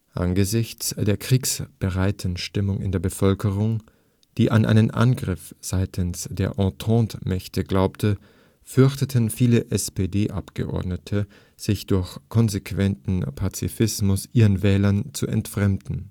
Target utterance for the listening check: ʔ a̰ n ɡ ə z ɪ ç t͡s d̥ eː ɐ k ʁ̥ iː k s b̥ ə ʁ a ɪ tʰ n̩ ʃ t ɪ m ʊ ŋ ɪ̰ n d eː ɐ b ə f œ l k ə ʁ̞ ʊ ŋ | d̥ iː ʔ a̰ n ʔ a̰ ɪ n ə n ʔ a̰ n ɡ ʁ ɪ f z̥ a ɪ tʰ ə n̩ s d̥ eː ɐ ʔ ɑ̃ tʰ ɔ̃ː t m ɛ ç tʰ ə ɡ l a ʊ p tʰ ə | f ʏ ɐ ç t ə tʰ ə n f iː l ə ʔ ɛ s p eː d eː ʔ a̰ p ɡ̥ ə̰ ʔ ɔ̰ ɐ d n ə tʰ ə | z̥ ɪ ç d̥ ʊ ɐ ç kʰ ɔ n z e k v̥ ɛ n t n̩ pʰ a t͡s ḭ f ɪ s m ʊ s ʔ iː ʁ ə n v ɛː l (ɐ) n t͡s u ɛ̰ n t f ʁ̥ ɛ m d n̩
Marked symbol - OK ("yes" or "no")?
yes